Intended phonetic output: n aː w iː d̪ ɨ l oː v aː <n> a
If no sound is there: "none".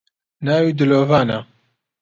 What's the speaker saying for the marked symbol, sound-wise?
n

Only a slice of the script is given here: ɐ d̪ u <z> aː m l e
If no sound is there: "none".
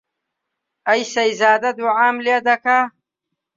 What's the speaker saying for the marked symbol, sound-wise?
ʕ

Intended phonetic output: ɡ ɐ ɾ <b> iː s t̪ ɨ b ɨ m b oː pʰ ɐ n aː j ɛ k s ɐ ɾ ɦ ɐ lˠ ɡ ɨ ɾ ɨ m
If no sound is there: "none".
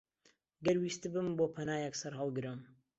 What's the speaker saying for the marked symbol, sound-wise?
w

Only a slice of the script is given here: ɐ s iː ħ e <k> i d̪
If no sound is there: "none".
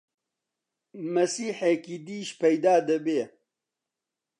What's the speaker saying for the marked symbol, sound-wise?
k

